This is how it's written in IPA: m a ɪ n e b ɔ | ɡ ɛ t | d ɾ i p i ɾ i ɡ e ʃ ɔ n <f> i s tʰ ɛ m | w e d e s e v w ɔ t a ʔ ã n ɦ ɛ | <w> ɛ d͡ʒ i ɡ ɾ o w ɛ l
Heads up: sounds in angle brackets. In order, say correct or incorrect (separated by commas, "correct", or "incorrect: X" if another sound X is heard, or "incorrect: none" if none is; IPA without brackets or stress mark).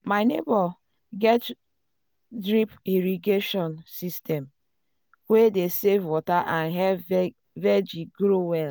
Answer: incorrect: s, incorrect: v